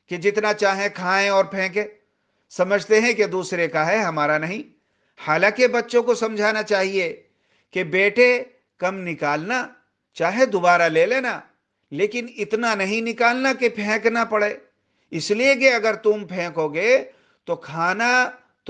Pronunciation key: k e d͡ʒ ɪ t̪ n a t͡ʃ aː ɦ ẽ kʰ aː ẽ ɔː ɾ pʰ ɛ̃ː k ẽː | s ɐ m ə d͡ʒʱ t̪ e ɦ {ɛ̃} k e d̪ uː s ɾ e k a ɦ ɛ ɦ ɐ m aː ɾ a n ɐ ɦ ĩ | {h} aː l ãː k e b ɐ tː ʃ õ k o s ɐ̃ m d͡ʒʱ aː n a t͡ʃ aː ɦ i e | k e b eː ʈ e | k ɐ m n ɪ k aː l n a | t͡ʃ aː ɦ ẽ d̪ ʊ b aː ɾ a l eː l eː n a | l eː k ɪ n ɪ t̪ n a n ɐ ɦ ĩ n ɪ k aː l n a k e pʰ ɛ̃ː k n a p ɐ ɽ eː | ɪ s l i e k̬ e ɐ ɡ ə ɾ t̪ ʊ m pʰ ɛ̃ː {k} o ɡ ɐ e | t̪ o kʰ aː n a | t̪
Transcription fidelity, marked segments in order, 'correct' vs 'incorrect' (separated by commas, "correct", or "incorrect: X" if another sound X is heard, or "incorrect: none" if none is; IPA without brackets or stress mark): correct, correct, correct